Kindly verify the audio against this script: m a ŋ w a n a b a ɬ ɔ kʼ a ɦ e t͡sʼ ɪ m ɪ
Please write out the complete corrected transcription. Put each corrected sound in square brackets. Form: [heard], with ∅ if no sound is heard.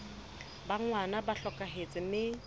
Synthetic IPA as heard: [b] a ŋ w a n a b a ɬ ɔ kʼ a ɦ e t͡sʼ ɪ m ɪ